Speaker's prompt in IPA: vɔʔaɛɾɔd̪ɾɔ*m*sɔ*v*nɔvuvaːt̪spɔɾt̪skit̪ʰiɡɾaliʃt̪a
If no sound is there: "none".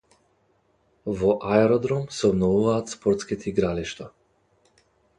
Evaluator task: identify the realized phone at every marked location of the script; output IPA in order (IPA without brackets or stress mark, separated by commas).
m, b